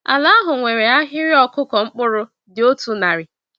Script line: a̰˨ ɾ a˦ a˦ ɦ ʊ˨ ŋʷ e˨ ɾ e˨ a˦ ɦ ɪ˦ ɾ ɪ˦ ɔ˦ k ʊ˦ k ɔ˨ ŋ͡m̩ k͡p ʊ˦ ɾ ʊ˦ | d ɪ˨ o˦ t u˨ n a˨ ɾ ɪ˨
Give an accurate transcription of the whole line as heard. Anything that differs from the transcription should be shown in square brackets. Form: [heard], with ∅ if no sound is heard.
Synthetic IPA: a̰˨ [l] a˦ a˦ ɦ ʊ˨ ŋʷ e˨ ɾ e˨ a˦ ɦ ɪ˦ ɾ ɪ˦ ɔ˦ k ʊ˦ k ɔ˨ ŋ͡m̩ k͡p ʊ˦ ɾ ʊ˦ | d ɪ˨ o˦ t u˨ n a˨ ɾ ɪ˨